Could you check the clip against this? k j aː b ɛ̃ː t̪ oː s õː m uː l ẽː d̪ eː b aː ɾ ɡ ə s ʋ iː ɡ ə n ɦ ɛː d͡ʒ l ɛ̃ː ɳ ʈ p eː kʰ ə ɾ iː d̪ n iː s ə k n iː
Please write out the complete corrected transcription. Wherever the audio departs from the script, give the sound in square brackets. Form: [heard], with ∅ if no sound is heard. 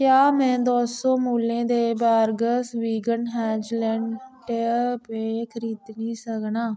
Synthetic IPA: k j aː [m] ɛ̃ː [d̪] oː s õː m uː l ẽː d̪ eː b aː ɾ ɡ ə s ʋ iː ɡ ə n ɦ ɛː d͡ʒ l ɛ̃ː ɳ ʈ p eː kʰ ə ɾ iː d̪ n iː s ə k n [aː]